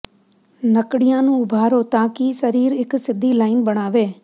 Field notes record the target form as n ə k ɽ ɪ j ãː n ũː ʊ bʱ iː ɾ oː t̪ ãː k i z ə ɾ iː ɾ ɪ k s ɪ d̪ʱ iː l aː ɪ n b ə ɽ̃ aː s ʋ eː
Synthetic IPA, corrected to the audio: n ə k ɽ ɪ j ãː n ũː ʊ bʱ aː ɾ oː t̪ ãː k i s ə ɾ iː ɾ ɪ k s ɪ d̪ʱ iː l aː ɪ n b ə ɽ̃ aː ʋ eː